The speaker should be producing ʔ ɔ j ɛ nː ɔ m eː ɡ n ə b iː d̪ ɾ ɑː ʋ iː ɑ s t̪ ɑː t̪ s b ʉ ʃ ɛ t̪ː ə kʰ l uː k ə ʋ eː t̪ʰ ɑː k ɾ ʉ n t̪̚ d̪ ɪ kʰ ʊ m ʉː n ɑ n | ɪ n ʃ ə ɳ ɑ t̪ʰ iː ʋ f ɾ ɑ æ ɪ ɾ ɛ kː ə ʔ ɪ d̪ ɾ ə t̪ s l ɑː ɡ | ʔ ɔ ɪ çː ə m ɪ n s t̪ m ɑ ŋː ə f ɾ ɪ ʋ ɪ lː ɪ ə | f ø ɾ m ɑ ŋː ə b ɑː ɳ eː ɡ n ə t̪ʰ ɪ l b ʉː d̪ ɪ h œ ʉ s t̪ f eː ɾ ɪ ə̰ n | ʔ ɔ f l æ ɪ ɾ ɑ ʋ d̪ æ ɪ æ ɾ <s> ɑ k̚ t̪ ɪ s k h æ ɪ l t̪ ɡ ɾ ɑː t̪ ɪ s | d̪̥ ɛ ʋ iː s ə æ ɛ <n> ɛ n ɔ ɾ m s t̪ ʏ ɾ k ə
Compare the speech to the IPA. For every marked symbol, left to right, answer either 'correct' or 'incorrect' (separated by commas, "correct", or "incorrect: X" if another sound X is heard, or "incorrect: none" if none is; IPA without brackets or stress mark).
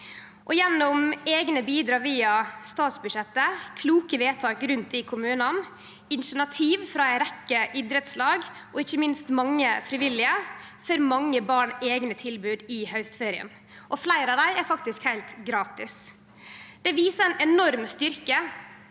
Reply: incorrect: f, correct